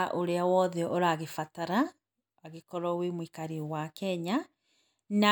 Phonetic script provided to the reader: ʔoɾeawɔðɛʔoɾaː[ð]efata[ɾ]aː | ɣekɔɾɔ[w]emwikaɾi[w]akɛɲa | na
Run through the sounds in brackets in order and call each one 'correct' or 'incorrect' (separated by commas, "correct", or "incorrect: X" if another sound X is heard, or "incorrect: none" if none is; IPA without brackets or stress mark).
incorrect: ɣ, correct, correct, correct